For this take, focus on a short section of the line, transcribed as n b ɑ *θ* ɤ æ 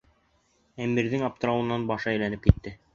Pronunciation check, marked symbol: incorrect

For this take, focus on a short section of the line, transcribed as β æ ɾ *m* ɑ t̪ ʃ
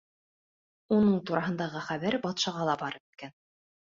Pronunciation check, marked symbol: incorrect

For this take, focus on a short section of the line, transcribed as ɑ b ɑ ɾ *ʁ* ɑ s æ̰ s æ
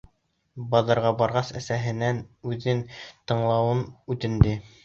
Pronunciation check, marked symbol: correct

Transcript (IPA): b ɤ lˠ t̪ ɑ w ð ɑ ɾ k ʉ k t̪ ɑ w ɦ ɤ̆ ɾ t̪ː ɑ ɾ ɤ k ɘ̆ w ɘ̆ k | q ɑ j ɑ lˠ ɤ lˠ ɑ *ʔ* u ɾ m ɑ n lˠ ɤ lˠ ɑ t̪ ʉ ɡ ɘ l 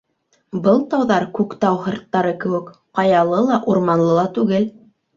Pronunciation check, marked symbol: correct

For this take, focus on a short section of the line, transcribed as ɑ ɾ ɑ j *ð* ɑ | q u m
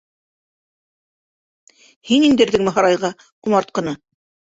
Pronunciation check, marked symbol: incorrect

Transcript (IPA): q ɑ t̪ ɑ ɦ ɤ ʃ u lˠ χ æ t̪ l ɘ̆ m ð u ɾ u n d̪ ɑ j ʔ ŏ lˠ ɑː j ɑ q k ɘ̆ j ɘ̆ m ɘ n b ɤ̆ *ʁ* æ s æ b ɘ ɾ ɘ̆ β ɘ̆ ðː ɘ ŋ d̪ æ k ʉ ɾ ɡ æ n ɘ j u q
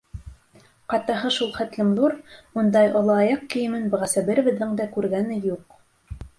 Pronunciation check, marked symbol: correct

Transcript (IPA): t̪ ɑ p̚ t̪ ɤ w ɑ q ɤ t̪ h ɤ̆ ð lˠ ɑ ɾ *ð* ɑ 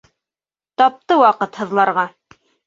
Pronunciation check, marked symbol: incorrect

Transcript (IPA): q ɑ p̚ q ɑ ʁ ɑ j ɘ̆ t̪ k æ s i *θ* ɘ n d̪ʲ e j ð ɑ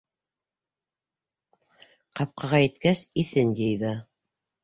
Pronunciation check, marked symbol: correct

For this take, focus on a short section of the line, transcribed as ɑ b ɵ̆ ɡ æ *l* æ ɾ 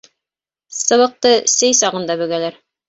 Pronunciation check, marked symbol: correct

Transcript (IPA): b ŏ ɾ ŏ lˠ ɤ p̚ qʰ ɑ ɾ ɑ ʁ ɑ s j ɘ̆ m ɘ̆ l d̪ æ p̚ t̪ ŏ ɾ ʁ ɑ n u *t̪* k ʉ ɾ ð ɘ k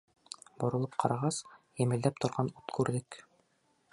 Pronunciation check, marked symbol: correct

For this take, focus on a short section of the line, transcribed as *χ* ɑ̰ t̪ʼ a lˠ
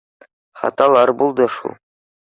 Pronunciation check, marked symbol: correct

